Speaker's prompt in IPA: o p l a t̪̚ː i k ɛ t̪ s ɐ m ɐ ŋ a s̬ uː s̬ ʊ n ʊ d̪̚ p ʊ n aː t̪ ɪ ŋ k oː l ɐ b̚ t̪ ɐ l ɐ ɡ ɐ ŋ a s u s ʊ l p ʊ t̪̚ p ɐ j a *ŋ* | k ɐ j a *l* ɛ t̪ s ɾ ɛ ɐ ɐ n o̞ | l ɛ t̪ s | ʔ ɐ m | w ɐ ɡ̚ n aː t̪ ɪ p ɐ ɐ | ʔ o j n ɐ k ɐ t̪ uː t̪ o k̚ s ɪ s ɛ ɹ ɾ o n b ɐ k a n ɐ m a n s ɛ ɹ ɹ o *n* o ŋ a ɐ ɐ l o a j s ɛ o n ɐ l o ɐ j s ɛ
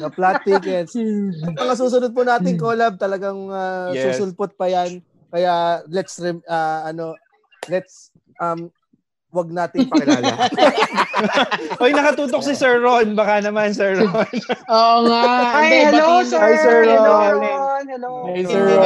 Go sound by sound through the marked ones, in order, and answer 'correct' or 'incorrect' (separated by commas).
incorrect, correct, correct